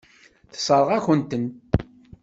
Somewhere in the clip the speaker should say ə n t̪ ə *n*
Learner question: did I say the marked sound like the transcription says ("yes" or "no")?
yes